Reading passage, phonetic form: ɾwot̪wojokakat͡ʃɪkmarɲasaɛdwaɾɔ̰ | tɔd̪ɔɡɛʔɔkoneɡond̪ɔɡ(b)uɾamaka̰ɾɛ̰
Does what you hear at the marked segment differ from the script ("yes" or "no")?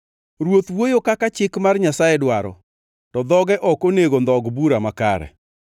no